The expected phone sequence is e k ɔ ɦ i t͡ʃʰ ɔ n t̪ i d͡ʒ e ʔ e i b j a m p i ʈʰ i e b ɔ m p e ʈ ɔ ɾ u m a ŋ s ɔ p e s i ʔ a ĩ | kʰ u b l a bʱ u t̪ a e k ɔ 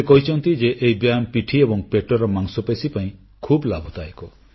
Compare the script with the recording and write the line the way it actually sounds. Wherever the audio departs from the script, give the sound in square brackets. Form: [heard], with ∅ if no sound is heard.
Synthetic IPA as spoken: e k ɔ ɦ i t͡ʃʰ ɔ n t̪ i d͡ʒ e ʔ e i b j a m p i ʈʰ i e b ɔ [ŋ] p e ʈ ɔ ɾ [ɔ] m a ŋ s ɔ p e s i [p] a ĩ | kʰ u b l a bʱ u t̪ a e k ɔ